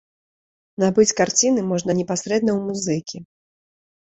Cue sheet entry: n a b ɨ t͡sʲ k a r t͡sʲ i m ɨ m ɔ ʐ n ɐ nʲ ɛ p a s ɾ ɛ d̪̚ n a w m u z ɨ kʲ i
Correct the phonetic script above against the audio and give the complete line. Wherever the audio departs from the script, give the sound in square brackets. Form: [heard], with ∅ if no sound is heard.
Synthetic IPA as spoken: n a b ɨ t͡sʲ k a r t͡sʲ i [n] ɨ m ɔ ʐ n ɐ nʲ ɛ p a s ɾ ɛ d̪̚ n [ɐ] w m u z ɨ kʲ i